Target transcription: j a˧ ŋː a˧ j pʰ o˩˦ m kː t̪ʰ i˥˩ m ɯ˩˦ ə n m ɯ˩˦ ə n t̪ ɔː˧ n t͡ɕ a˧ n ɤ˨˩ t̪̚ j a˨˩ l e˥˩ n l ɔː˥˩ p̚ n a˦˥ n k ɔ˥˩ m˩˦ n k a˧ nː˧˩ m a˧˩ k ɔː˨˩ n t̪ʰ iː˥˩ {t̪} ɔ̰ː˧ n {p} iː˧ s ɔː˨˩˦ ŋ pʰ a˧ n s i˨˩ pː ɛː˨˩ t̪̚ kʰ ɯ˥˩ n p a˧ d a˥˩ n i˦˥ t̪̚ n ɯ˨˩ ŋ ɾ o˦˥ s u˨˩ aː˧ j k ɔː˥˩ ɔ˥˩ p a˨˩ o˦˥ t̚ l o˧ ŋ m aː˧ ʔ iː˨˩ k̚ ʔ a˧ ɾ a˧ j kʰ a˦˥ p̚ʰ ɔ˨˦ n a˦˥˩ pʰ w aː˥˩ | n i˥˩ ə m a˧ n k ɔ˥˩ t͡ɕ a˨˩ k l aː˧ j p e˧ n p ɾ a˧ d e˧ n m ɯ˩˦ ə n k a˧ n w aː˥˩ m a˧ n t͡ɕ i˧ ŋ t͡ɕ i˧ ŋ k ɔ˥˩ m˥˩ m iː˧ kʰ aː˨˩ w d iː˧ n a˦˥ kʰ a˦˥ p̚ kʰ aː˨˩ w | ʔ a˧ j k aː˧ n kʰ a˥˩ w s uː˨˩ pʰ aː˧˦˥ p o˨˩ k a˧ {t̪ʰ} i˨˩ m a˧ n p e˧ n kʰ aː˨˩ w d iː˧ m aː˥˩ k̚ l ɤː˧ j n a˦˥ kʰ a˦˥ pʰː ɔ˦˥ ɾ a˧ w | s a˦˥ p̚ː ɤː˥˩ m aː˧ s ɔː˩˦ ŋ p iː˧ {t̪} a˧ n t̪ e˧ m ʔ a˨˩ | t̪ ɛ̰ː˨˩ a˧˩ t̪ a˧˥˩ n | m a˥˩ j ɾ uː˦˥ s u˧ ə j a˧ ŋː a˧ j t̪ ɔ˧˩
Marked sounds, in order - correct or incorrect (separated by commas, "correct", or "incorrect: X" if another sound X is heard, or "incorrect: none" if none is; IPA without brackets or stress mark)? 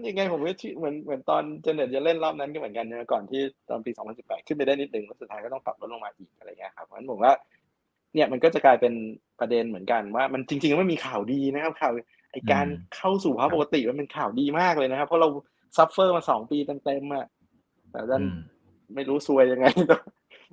correct, correct, incorrect: t̪, correct